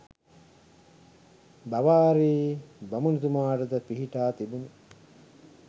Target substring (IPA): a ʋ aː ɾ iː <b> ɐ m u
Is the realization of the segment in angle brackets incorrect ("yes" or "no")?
no